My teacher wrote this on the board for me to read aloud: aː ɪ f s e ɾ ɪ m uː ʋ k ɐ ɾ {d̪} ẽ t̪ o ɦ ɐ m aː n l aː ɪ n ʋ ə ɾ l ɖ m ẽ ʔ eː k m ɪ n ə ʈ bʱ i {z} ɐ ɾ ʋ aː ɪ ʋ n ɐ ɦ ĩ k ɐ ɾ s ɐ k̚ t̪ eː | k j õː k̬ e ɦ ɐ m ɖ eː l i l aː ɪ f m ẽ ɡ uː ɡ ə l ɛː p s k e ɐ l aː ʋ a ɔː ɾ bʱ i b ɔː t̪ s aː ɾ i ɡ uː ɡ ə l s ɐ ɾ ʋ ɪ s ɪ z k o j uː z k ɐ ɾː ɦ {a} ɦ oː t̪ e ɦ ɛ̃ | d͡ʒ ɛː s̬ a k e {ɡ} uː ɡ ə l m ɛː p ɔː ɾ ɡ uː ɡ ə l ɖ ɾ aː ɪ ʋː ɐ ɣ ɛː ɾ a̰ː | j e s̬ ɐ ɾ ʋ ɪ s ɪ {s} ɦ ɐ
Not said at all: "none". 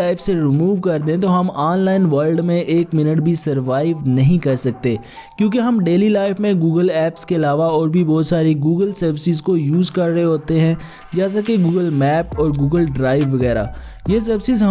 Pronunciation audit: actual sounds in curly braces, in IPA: d̪, s, e, ɡ, z

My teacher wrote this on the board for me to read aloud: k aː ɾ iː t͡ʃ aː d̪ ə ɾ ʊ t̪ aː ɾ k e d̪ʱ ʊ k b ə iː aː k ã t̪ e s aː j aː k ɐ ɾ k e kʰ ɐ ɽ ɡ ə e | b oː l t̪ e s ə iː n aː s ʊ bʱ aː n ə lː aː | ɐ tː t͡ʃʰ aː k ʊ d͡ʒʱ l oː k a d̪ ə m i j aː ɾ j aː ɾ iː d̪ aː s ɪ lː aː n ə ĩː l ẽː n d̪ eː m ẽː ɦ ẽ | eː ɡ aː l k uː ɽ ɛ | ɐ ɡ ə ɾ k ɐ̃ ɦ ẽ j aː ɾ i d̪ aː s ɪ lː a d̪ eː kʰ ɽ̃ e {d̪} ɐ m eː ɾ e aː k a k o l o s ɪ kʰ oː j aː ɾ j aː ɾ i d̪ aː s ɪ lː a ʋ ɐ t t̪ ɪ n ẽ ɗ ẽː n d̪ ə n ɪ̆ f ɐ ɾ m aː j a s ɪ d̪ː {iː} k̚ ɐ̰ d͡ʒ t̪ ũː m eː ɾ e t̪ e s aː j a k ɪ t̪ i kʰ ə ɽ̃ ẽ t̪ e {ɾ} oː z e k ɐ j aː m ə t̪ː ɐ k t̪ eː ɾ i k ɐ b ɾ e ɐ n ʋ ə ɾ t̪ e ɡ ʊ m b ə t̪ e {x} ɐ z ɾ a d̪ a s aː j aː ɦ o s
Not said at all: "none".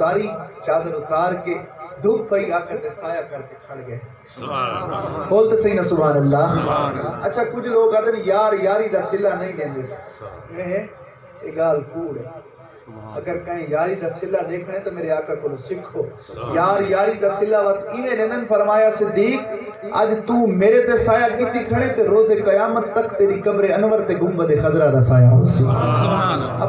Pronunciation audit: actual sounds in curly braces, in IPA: t̪, iː, ɾ, x

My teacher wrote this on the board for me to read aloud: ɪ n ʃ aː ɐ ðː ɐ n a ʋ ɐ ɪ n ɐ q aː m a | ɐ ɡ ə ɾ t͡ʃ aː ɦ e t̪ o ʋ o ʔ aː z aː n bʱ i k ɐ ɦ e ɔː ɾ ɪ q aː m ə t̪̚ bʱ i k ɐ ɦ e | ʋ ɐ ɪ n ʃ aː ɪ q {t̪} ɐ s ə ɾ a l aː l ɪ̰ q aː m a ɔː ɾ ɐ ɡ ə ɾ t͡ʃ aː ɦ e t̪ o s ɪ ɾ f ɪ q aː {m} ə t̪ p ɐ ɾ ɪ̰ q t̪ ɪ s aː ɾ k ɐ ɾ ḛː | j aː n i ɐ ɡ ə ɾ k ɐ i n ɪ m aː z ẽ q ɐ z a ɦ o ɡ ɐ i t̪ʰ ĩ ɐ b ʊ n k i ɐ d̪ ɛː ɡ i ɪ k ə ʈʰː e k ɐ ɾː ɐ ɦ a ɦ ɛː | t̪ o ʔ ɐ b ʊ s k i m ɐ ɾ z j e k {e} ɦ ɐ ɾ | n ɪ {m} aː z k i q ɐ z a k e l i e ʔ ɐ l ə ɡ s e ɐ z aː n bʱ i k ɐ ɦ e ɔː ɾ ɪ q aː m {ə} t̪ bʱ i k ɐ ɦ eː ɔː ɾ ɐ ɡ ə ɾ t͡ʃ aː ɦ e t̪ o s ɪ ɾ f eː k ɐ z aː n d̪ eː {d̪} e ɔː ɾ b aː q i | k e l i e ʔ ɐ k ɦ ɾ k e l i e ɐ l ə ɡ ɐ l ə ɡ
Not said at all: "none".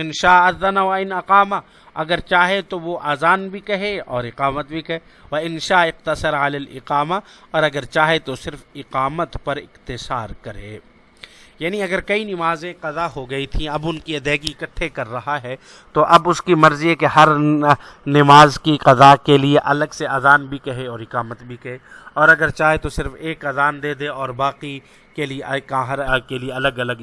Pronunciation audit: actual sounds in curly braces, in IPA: t̪, m, e, m, ə, d̪

